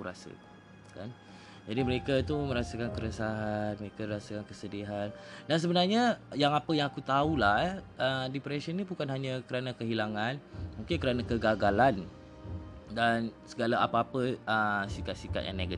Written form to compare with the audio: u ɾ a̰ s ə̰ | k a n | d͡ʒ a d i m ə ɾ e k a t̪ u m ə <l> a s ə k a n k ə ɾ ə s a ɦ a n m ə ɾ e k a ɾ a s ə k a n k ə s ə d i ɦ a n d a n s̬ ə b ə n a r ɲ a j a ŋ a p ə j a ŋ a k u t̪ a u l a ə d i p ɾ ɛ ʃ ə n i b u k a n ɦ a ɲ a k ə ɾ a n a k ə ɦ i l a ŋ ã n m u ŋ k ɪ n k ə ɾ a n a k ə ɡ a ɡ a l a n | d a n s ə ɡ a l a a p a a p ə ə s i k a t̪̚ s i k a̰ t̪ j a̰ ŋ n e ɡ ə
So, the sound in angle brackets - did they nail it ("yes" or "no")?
no